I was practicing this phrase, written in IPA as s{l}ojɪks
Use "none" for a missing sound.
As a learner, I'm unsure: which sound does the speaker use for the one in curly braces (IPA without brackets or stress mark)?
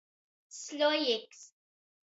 l